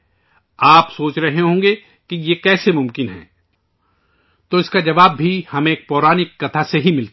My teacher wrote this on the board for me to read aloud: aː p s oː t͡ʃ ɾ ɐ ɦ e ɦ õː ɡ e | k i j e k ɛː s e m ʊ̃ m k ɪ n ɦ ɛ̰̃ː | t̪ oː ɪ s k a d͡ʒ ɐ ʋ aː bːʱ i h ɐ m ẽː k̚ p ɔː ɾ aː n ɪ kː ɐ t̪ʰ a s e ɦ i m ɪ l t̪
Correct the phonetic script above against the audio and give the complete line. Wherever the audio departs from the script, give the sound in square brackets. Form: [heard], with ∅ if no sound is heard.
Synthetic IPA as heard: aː p s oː t͡ʃ ɾ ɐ ɦ e ɦ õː ɡ e | k i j e k ɛː s e m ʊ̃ m k ɪ n ɦ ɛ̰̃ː | t̪ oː ɪ s k a d͡ʒ ɐ ʋ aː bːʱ i h ɐ m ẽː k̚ p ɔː ɾ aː n ɪ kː ɐ t̪ʰ a s e ɦ i m ɪ l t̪